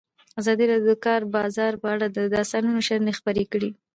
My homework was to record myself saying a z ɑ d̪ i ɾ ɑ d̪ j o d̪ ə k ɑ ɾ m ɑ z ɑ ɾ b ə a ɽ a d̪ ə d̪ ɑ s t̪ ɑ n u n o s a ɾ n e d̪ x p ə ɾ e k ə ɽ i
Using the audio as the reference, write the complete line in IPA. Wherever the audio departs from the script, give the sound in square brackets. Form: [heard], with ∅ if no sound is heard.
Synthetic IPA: a z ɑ d̪ i ɾ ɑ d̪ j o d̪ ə k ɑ ɾ [b] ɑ z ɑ ɾ [p] ə a ɽ a d̪ ə d̪ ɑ s t̪ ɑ n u n o [ʃ] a ɾ n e [∅] x p ə ɾ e k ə ɽ i